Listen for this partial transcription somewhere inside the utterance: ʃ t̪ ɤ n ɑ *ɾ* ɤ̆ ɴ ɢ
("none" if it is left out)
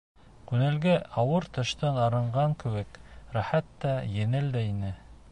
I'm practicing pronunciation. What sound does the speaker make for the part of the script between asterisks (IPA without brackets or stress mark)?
ɾ